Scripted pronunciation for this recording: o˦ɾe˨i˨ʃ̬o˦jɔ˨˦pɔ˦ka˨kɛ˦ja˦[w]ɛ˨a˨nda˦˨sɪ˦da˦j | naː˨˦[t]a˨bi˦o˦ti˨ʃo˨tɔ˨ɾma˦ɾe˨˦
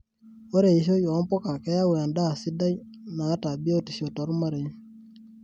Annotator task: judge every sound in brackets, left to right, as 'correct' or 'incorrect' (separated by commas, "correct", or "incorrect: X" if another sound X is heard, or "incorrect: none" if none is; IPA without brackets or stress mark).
correct, correct